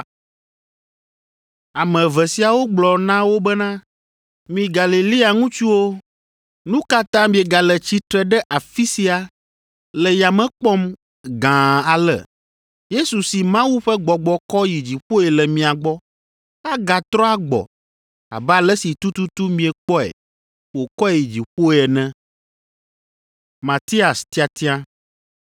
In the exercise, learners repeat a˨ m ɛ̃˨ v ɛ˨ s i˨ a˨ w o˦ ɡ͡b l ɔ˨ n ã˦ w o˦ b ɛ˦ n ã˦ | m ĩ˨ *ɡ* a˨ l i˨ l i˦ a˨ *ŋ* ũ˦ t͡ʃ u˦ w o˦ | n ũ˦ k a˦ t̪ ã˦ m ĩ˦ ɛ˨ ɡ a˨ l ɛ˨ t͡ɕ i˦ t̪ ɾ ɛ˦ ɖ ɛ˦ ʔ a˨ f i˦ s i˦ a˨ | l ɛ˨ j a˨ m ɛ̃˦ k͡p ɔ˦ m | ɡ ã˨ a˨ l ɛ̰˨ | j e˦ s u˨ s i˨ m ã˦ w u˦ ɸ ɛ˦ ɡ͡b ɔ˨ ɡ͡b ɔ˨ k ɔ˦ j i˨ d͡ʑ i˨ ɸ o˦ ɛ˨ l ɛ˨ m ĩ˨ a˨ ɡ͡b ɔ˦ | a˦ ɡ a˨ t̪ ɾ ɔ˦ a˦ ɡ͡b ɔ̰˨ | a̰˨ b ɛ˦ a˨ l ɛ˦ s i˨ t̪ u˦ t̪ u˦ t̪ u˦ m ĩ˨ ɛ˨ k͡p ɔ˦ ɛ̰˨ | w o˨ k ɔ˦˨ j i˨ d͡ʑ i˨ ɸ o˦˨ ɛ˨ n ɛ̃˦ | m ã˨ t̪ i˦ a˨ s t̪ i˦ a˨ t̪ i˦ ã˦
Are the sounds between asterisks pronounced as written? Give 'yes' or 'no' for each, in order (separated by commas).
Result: yes, yes